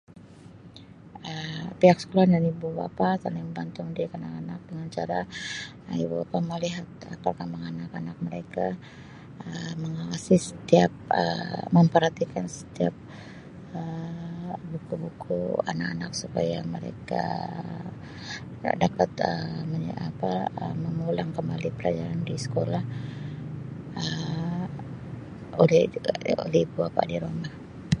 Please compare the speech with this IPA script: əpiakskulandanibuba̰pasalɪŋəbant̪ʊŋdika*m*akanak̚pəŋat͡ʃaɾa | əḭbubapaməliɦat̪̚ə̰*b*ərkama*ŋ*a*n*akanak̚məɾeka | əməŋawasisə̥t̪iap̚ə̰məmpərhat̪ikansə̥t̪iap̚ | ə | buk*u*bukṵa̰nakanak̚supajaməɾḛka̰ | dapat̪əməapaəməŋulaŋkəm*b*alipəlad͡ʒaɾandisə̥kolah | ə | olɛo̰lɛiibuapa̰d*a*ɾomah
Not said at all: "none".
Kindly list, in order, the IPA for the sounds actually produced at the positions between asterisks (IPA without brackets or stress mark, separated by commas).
n, p, ŋ, n, u, b, i